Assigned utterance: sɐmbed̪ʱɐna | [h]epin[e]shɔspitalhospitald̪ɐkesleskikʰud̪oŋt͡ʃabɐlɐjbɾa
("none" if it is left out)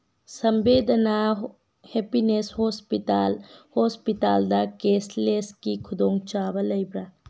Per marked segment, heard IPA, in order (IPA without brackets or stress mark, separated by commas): h, e